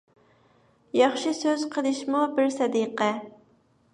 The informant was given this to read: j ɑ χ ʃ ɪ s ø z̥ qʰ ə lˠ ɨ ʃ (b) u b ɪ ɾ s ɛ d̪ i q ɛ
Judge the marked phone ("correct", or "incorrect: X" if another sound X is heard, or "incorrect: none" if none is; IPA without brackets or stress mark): incorrect: m